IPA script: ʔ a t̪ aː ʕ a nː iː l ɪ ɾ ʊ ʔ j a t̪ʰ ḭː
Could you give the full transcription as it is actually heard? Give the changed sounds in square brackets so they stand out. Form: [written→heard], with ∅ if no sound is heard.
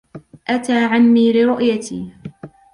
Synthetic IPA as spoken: ʔ a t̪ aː ʕ a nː iː l ɪ ɾ ʊ ʔ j a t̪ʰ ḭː